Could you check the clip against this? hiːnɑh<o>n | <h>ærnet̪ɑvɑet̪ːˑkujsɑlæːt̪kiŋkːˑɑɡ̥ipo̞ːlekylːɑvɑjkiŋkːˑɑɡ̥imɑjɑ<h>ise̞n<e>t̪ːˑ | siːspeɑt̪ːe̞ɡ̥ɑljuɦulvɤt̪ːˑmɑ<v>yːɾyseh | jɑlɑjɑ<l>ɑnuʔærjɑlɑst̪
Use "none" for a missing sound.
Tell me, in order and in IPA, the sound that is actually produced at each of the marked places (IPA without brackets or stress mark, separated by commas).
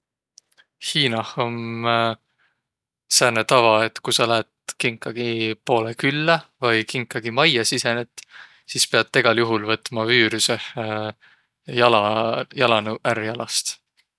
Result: o, s, s, e, v, l